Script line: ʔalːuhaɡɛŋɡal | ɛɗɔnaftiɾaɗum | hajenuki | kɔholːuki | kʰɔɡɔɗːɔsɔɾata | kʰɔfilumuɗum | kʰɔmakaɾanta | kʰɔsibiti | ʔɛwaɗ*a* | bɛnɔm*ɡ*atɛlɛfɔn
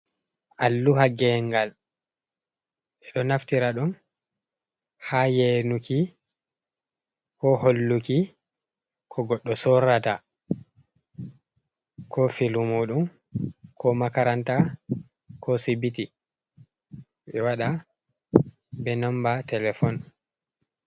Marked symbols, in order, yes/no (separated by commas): yes, no